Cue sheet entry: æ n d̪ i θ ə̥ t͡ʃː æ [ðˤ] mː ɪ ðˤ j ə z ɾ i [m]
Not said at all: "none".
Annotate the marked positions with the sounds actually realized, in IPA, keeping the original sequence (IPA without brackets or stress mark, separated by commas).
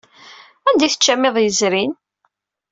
none, n